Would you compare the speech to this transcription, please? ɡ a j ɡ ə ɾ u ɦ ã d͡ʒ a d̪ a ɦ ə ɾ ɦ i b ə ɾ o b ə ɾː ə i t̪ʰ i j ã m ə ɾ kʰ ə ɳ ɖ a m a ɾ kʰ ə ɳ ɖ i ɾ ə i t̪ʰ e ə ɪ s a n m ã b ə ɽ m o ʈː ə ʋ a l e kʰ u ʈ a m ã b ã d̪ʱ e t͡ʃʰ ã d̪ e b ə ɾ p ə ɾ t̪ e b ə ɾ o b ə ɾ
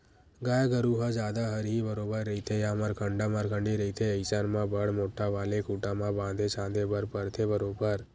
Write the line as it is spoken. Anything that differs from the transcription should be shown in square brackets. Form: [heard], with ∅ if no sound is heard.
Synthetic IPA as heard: ɡ a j ɡ ə ɾ u ɦ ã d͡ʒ a d̪ a ɦ ə ɾ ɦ i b ə ɾ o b ə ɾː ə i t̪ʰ [e] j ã m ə ɾ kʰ ə ɳ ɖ a m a ɾ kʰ ə ɳ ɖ i ɾ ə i t̪ʰ e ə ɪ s a n m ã b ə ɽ m o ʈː [a] ʋ a l e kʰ u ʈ a m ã b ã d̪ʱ e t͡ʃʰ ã d̪ e b ə ɾ p ə ɾ [t̪ʰ] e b ə ɾ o b ə ɾ